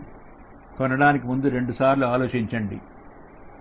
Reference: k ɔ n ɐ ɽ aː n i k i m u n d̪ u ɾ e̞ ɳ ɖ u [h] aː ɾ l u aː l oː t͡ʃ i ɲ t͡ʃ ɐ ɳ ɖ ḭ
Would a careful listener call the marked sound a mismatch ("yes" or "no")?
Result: yes